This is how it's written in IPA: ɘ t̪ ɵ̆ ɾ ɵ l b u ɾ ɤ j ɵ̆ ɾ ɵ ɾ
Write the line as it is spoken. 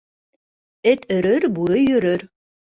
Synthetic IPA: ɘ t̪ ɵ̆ ɾ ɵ ɾ b u ɾ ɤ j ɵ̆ ɾ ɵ ɾ